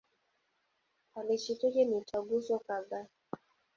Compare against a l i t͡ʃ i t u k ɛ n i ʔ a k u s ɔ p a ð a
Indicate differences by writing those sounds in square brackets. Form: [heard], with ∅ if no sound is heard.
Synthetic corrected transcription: a l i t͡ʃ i t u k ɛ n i [t] a [ɡ] u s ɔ [k] a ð a